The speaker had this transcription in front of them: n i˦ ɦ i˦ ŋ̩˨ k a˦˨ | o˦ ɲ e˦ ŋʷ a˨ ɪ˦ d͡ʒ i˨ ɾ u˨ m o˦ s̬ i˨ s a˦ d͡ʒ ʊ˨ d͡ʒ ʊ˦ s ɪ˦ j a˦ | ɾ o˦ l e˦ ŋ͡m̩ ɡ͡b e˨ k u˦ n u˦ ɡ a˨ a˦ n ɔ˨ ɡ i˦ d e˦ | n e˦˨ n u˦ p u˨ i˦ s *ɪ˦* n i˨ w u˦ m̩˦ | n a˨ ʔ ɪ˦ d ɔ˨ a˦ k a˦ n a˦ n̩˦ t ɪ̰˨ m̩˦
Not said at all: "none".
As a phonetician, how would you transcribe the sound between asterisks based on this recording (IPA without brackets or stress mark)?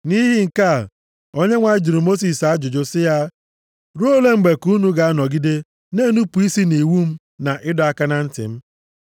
i˦